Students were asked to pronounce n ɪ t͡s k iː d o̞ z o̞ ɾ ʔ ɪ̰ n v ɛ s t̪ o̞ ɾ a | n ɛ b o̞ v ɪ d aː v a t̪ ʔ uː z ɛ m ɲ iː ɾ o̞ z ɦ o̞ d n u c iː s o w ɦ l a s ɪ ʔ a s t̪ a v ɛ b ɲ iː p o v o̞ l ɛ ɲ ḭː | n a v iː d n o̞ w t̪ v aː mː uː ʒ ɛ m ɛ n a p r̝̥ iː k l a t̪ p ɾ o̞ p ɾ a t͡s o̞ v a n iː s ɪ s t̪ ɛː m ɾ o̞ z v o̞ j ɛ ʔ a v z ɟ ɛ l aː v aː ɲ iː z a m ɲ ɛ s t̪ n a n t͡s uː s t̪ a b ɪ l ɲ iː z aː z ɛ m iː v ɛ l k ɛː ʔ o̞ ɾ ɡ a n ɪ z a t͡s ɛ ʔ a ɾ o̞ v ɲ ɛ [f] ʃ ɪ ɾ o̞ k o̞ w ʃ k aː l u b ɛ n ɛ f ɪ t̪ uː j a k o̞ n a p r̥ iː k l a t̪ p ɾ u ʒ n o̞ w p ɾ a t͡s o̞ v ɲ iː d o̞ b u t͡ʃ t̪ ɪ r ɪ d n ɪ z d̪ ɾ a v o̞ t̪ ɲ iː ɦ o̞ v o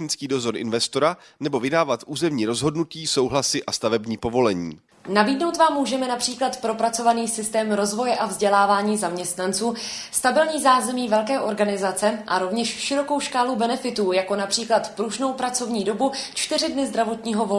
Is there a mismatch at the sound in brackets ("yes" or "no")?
yes